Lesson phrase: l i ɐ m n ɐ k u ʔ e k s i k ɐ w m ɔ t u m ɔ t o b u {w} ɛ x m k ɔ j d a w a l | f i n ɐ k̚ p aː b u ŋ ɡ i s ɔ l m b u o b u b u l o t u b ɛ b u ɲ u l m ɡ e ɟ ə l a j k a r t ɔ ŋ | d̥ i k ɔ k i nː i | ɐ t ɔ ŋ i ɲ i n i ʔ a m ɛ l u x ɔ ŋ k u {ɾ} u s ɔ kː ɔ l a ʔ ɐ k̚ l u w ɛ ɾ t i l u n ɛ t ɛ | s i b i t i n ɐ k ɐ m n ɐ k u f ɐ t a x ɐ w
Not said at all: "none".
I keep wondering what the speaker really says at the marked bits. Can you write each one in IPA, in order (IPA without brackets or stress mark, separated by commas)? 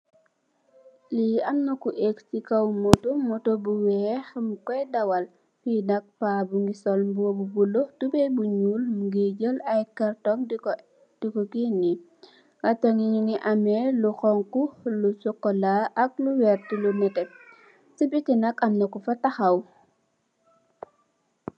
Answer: w, l